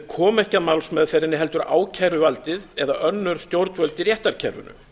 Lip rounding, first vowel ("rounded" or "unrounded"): rounded